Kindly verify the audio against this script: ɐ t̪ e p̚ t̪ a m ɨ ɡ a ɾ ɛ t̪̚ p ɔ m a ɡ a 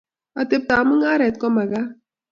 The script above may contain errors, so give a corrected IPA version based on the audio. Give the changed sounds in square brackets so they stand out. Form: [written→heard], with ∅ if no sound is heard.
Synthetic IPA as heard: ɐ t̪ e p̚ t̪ a m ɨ [ɡ→ŋ] a ɾ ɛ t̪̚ [p→k] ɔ m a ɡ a